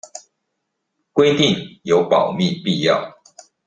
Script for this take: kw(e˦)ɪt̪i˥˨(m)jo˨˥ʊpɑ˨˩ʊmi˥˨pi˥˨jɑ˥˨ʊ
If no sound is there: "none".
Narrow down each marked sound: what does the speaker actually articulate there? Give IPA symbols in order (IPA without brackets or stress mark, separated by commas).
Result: e˦, ŋ